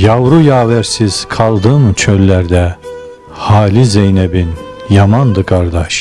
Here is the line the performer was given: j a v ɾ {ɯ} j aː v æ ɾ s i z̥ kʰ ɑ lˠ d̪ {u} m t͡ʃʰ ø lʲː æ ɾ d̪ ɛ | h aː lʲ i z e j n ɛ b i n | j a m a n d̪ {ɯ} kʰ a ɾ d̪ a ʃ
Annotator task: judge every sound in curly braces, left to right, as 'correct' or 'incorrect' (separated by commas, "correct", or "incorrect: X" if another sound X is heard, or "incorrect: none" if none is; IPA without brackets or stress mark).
incorrect: u, incorrect: ɯ, correct